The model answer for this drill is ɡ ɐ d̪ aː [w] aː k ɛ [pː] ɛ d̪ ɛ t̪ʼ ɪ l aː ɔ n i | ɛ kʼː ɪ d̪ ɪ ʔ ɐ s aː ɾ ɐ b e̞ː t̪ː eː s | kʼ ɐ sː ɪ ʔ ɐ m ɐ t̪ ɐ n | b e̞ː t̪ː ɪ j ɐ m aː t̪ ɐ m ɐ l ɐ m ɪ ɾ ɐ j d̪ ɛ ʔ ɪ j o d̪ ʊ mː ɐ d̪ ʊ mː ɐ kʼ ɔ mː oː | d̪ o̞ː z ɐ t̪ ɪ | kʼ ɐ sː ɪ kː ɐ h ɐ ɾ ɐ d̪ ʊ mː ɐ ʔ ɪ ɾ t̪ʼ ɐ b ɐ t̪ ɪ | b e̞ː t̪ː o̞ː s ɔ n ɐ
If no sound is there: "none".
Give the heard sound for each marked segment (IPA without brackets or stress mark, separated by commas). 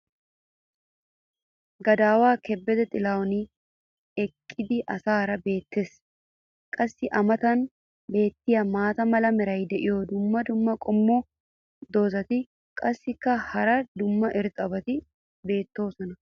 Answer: w, bː